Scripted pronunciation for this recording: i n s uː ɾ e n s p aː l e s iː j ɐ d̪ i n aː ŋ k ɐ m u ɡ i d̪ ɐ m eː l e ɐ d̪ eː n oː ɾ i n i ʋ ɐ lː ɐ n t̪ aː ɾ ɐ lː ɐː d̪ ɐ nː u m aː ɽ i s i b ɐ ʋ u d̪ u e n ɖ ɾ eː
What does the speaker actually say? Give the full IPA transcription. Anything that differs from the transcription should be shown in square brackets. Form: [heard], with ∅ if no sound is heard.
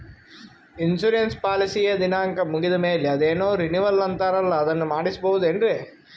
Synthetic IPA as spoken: i n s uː ɾ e n s p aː l [i] s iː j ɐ d̪ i n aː ŋ k ɐ m u ɡ i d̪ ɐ m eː l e ɐ d̪ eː n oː ɾ i n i ʋ ɐ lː ɐ n t̪ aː ɾ ɐ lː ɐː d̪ ɐ nː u m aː ɽ i s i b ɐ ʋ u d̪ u e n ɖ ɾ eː